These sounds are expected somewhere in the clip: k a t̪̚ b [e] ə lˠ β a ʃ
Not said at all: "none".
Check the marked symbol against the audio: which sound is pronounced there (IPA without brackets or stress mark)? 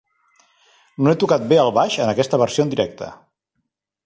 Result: e